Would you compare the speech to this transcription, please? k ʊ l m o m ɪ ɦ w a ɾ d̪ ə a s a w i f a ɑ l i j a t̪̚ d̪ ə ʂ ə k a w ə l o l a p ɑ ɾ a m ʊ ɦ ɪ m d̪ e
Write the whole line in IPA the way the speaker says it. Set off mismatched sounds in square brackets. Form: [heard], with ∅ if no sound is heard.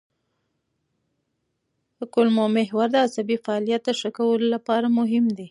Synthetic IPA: k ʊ l m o m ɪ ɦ w a ɾ d̪ ə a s a [b] i f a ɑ l i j a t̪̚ d̪ ə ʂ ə k a w ə l o l a p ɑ ɾ a m ʊ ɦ ɪ m d̪ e